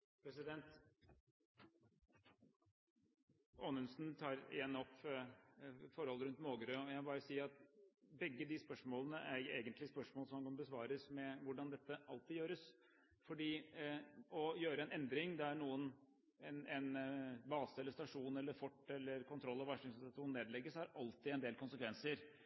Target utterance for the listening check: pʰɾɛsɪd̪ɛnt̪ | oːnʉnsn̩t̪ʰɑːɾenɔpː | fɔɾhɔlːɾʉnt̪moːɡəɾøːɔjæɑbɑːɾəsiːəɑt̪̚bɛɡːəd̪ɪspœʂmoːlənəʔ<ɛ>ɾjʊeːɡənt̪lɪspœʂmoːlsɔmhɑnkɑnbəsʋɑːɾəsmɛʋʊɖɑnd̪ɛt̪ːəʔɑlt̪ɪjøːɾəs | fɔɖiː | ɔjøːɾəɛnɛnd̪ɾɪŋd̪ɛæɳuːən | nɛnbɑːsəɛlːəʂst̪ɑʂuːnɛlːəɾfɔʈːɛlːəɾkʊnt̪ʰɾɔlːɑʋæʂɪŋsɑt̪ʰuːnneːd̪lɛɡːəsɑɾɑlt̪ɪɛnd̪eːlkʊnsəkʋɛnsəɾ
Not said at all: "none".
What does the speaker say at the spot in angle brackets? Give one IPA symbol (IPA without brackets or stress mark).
æ